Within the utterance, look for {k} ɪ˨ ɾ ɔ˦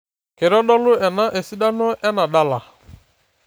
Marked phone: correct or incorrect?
correct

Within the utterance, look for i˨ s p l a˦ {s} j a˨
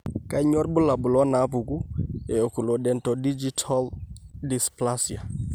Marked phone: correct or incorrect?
correct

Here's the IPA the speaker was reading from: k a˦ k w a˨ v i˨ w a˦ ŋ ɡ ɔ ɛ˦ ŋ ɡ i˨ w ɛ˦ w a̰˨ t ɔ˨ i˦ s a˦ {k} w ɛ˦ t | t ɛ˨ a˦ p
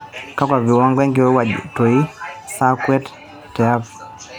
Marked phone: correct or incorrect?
correct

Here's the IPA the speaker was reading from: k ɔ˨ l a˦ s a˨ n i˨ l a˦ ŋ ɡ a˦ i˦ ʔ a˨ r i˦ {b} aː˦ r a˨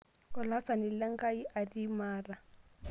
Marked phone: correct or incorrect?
incorrect: m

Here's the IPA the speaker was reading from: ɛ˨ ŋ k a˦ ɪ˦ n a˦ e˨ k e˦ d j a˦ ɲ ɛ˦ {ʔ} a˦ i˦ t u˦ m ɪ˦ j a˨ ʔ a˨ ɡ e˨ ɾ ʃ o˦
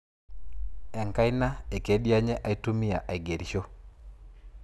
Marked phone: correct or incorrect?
correct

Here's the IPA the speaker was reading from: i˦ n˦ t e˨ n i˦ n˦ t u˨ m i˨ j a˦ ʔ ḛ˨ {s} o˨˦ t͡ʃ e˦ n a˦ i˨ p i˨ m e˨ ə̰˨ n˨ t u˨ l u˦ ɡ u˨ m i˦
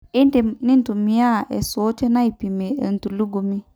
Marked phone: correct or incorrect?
correct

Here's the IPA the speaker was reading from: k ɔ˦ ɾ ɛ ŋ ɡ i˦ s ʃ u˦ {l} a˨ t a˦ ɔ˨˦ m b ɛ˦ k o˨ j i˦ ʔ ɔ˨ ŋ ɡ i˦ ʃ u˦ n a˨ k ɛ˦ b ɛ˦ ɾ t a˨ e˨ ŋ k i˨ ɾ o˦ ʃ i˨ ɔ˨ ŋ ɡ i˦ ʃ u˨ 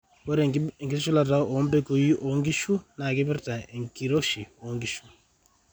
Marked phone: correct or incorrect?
correct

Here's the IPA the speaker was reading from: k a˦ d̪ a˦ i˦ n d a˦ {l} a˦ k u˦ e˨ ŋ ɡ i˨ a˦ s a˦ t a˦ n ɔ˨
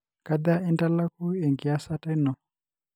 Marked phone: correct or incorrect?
correct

